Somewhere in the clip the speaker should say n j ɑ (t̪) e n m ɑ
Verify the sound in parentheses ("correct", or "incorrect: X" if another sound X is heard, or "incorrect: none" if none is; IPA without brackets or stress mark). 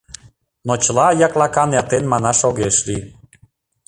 correct